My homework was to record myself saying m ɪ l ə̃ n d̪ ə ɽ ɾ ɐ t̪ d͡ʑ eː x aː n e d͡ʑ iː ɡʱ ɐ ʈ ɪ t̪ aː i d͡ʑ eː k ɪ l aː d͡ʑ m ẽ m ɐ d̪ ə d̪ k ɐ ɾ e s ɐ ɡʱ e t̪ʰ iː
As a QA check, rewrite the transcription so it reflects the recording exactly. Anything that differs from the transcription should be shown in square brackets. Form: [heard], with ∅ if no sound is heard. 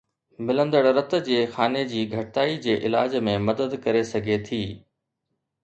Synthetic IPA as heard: m ɪ l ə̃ n d̪ ə ɽ ɾ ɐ t̪ d͡ʑ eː x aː n e d͡ʑ iː ɡʱ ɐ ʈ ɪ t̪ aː i d͡ʑ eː [ʔ] ɪ l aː d͡ʑ m ẽ m ɐ d̪ ə d̪ k ɐ ɾ e s ɐ ɡʱ e t̪ʰ iː